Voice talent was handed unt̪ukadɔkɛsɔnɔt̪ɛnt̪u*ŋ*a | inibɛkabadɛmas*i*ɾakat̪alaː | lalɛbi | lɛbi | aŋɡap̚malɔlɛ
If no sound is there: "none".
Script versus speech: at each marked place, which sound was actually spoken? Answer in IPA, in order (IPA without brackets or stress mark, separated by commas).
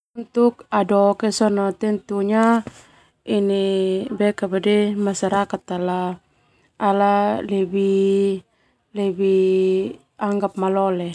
ɲ, a